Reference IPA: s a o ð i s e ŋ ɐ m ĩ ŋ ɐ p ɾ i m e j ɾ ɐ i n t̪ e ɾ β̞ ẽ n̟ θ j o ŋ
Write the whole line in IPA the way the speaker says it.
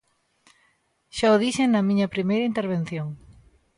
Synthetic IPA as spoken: ʃ a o ð i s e n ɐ m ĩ ɲ ɐ p ɾ i m e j ɾ ɐ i n t̪ e ɾ β̞ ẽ n̟ θ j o ŋ